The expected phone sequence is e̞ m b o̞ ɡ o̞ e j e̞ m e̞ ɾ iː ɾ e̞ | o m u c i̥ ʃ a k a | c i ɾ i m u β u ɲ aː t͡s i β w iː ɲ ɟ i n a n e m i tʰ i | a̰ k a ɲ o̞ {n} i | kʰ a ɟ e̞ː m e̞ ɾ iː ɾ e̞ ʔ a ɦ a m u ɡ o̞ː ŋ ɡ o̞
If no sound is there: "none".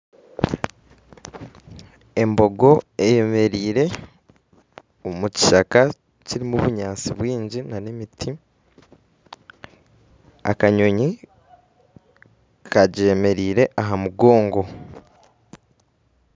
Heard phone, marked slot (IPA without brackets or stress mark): ɲ